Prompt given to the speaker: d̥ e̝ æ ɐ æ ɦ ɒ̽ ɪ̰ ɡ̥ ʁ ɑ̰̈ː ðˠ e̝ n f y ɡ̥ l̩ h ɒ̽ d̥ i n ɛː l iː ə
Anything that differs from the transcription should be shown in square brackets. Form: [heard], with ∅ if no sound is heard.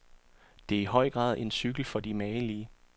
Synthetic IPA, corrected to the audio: d̥ e̝ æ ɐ [i] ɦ ɒ̽ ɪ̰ ɡ̥ ʁ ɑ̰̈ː ðˠ e̝ n [s] y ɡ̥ l̩ [f] ɒ̽ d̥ i [m] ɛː l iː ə